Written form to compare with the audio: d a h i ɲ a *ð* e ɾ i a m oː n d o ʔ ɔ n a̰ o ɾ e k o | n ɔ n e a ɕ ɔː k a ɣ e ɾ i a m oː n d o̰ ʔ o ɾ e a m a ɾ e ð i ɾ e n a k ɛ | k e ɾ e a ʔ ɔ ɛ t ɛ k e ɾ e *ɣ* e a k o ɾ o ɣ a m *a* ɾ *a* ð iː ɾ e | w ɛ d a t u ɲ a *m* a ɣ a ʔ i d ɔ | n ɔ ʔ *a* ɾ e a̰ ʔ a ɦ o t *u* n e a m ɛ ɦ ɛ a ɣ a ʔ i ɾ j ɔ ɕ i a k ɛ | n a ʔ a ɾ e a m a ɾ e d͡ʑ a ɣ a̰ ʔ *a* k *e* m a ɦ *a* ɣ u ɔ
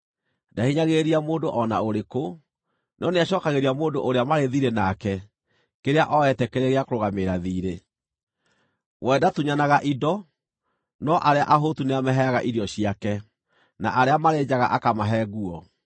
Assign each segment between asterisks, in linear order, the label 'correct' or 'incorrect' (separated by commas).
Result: incorrect, correct, incorrect, correct, incorrect, correct, correct, correct, incorrect, incorrect